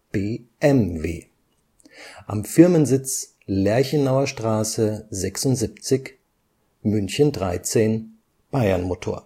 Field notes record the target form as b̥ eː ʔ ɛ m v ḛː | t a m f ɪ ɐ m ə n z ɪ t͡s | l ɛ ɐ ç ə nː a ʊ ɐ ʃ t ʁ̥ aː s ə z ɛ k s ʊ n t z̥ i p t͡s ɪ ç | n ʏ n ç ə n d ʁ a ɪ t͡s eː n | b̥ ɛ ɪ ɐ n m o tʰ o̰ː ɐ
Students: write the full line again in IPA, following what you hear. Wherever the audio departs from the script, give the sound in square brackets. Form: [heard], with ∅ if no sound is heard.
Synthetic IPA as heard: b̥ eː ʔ ɛ m v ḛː | [ʔ] a m f ɪ ɐ m ə n z ɪ t͡s | l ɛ ɐ ç ə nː a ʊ ɐ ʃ t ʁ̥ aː s ə z ɛ k s ʊ n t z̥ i p t͡s ɪ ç | [m] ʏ n ç ə n d ʁ a ɪ t͡s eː n | b̥ [a] ɪ ɐ n m o tʰ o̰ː ɐ